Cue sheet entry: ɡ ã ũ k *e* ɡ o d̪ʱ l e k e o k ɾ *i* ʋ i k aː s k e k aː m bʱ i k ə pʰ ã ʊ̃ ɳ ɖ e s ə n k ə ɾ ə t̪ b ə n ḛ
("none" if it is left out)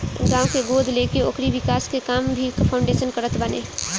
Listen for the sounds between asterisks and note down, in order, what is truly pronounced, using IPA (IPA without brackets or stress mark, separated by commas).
e, i